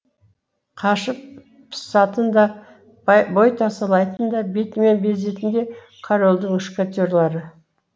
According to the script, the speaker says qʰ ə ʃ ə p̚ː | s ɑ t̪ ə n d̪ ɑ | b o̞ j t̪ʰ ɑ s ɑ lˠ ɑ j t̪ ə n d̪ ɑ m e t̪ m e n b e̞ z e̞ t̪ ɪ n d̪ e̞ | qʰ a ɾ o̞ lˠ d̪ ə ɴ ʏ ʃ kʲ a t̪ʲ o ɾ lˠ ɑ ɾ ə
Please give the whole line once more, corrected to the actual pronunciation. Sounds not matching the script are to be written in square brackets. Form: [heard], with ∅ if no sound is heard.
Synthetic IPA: qʰ [ɑ] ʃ ə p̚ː | s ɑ t̪ ə n d̪ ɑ | b o̞ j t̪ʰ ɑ s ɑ lˠ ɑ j t̪ ə n d̪ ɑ [b] e t̪ m e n b e̞ z e̞ t̪ ɪ n d̪ e̞ | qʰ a ɾ o̞ lˠ d̪ ə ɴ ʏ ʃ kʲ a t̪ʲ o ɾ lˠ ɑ ɾ ə